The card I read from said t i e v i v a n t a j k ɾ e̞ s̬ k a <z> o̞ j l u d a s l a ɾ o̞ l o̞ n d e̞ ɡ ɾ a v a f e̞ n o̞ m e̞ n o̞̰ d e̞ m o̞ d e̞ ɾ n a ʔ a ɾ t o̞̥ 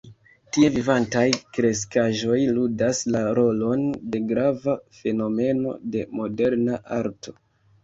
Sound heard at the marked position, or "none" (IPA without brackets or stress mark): ʒ